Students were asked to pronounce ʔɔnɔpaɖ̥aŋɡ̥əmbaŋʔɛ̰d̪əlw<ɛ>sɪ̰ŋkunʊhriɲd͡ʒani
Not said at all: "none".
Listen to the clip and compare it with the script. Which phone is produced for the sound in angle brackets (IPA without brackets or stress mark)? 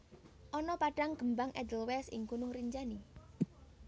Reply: ɛ